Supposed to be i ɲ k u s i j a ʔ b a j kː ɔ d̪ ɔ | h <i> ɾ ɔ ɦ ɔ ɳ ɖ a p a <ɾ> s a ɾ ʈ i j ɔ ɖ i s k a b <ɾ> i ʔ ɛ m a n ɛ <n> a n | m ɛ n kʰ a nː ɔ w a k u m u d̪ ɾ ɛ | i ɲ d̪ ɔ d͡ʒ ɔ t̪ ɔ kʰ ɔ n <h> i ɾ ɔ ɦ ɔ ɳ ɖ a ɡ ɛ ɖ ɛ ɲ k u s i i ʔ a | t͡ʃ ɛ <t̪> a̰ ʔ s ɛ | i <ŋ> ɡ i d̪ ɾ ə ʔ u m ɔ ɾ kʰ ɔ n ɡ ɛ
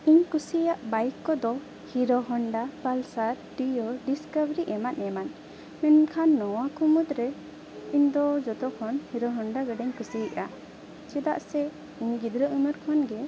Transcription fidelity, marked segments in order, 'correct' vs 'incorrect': correct, incorrect: l, correct, incorrect: m, correct, incorrect: d̪, incorrect: ɲ

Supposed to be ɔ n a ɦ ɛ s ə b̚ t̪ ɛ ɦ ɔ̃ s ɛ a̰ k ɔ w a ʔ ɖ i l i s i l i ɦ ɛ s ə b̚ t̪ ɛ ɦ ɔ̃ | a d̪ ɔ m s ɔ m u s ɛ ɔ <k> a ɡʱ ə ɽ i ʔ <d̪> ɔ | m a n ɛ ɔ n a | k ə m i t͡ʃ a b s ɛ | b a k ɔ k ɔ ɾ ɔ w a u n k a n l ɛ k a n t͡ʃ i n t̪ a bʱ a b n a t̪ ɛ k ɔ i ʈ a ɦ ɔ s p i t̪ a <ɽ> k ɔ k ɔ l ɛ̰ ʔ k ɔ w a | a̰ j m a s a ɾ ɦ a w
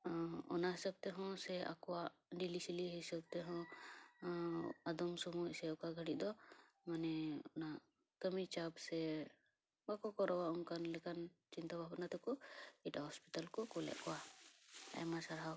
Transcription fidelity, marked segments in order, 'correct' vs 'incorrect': correct, correct, incorrect: l

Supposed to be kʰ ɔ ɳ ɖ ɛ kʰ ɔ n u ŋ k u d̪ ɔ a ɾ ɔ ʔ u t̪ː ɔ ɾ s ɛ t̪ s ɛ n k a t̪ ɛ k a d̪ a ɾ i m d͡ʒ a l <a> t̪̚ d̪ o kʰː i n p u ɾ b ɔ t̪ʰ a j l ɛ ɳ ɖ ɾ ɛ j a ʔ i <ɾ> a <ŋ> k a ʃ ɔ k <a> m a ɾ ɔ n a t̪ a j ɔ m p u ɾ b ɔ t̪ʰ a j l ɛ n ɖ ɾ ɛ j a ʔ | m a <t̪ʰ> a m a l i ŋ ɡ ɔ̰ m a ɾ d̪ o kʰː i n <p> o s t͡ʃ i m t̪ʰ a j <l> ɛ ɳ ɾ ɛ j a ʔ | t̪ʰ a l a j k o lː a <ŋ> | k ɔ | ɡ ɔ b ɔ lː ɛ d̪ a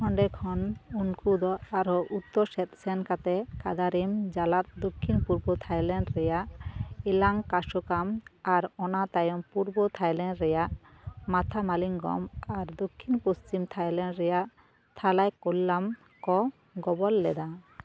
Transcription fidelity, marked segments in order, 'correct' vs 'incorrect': correct, incorrect: l, correct, correct, correct, correct, correct, incorrect: m

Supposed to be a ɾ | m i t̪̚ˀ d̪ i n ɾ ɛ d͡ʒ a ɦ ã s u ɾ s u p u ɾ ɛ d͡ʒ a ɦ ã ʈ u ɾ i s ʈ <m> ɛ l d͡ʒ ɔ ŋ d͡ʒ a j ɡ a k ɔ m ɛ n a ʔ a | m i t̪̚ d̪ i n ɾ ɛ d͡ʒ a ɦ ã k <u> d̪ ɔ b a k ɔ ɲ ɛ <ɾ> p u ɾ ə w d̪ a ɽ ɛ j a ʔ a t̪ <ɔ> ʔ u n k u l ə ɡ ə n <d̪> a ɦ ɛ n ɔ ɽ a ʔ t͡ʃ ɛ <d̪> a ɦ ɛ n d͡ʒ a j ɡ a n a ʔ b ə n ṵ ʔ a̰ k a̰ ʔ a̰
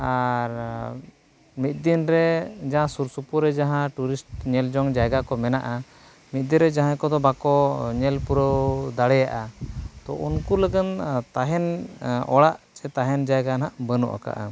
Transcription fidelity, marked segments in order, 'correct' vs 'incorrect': incorrect: ɲ, incorrect: ɔ, incorrect: l, correct, incorrect: t̪, incorrect: t̪

